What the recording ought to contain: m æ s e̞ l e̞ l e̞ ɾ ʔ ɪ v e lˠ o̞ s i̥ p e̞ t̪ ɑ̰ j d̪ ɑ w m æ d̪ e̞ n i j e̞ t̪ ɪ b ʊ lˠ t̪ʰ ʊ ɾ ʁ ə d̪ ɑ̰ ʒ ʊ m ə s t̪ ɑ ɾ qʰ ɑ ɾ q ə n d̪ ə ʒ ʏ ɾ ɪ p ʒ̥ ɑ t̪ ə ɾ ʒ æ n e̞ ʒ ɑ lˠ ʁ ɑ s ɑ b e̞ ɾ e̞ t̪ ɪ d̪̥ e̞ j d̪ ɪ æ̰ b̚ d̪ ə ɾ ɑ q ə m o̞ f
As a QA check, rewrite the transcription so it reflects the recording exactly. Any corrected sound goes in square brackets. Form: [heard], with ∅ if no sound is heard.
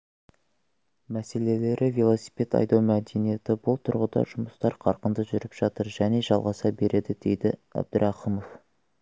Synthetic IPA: m æ s e̞ l e̞ l e̞ ɾ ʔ ɪ v e lˠ o̞ s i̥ p e̞ t̪ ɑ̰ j d̪ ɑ w m æ d̪ e̞ n i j e̞ t̪ ɪ b ʊ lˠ t̪ʰ ʊ ɾ ʁ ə d̪ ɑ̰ ʒ ʊ m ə s t̪ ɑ ɾ qʰ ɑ ɾ q ə n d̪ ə ʒ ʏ ɾ ɪ p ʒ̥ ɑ t̪ ə ɾ ʒ æ n e̞ ʒ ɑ lˠ ʁ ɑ s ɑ b e̞ ɾ e̞ [d̪] ɪ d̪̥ e̞ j d̪ ɪ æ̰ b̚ d̪ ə ɾ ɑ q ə m o̞ f